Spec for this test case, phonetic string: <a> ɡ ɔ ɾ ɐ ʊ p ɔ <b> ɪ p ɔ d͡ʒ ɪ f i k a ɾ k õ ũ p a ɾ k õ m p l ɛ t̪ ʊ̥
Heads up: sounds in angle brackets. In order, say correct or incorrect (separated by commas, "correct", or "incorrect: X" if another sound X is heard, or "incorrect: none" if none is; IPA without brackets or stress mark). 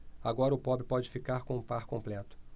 correct, correct